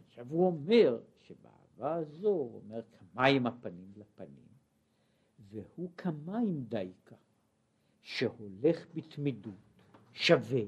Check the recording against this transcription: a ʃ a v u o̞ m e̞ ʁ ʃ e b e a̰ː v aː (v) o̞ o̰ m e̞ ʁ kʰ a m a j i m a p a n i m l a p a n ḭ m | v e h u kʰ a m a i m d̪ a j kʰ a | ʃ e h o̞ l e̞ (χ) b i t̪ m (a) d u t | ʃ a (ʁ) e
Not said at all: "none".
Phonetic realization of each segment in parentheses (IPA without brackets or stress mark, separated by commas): z, χ, i, v